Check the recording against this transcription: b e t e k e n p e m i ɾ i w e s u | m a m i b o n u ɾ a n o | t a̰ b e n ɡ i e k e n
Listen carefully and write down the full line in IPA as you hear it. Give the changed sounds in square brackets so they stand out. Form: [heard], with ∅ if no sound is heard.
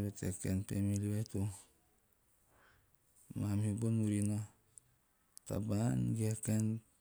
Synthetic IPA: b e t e k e n p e m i [l] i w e [t] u | m a m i b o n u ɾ [i] n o | t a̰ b [a] n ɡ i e k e n